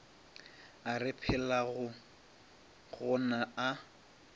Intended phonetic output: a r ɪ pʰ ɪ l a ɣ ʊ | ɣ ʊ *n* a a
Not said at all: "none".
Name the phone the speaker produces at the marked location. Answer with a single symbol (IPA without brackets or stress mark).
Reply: n